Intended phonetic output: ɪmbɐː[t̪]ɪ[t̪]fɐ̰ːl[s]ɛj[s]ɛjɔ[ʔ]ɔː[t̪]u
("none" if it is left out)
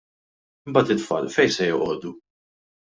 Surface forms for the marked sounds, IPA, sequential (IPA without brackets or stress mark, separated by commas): t̪, t̪, f, s, ʔ, d̪